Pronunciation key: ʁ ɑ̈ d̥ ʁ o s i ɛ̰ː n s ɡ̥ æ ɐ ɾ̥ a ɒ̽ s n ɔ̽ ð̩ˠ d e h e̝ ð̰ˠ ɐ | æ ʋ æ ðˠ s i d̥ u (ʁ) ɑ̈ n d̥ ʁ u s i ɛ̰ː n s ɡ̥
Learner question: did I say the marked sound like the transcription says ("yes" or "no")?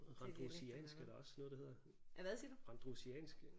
yes